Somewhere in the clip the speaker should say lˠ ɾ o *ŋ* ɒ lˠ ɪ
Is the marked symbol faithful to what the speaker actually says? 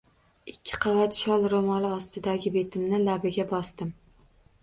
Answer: no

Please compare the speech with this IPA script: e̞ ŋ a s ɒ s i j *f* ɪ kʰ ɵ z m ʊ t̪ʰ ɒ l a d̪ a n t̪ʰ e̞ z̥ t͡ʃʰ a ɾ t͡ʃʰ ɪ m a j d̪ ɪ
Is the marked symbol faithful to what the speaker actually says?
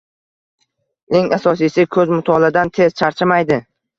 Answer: no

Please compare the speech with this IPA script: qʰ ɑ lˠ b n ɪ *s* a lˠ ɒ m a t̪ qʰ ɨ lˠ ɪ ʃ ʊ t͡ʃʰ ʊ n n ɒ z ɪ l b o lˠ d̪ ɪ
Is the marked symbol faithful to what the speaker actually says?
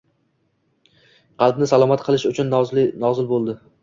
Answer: yes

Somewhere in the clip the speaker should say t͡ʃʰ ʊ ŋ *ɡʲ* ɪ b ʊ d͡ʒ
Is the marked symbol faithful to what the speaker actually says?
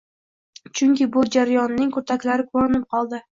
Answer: no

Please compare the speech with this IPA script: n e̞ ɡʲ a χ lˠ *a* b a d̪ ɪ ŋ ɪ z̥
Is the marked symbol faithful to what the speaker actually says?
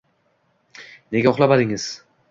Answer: yes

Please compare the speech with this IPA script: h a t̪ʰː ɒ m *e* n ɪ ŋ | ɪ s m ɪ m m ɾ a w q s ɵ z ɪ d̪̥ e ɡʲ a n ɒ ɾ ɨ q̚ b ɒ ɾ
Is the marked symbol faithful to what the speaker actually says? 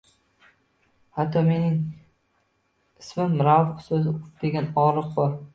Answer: yes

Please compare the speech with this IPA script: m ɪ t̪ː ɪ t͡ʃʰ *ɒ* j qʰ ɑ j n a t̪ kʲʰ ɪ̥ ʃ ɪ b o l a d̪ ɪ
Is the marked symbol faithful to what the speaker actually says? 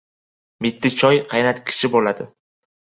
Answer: yes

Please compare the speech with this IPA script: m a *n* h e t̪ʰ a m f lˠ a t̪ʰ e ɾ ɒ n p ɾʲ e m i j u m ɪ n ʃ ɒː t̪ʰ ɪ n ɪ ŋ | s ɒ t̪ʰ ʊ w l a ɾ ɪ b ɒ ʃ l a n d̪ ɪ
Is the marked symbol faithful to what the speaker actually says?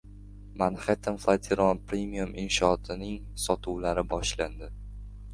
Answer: yes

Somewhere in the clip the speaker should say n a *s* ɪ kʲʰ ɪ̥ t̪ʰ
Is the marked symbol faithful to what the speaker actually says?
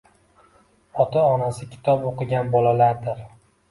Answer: yes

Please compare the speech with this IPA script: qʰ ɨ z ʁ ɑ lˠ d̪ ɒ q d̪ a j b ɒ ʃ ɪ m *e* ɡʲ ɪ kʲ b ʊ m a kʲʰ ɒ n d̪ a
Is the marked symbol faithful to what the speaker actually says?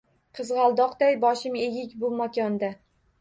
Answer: yes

